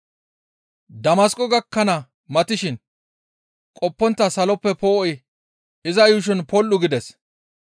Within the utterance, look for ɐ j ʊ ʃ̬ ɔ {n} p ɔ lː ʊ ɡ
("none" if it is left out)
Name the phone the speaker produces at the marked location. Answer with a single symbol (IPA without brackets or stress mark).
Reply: n